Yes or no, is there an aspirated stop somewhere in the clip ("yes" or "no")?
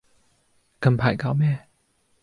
yes